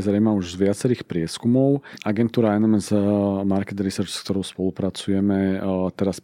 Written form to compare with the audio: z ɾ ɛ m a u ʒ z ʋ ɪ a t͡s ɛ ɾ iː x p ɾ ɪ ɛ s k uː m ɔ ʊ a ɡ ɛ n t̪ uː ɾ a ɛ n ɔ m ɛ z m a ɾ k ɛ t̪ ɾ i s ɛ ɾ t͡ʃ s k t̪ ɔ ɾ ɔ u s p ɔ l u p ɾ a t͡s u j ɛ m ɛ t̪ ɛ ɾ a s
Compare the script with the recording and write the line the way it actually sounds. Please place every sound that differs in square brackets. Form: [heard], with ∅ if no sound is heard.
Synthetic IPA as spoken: z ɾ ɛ m a u ʒ z ʋ ɪ a t͡s ɛ ɾ iː x p ɾ ɪ ɛ s k [u] m ɔ ʊ a ɡ ɛ n t̪ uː ɾ a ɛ n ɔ m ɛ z m a ɾ k ɛ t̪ ɾ i s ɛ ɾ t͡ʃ s k t̪ ɔ ɾ ɔ [ʊ] s p ɔ l u p ɾ a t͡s u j ɛ m ɛ t̪ ɛ ɾ a s